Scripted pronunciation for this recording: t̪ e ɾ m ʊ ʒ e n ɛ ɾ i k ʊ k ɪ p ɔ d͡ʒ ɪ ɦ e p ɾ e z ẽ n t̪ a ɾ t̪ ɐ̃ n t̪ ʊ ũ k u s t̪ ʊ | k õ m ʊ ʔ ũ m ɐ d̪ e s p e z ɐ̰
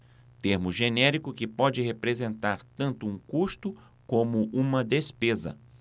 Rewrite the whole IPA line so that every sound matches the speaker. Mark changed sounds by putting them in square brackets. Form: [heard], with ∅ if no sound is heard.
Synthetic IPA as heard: t̪ e ɾ m ʊ ʒ e n ɛ ɾ i k ʊ k ɪ p ɔ d͡ʒ ɪ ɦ e p ɾ e z ẽ n t̪ a ɾ t̪ ɐ̃ n t̪ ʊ ũ k u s t̪ ʊ | k õ m ʊ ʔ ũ m ɐ d̪ e s p e z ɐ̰